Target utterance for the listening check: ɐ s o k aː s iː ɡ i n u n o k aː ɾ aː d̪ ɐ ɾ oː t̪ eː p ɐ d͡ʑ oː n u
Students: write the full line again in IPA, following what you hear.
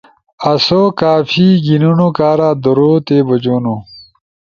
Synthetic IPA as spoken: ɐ s o k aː f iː ɡ i n u n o k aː ɾ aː d̪ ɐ ɾ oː t̪ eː b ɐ d͡ʑ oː n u